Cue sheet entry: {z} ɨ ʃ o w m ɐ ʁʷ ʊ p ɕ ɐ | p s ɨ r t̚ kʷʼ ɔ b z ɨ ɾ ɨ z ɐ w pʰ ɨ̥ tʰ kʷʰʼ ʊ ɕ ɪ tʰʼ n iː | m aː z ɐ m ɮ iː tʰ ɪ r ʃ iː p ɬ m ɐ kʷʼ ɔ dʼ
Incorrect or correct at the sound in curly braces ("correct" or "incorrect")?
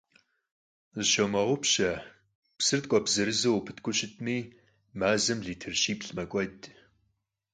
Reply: correct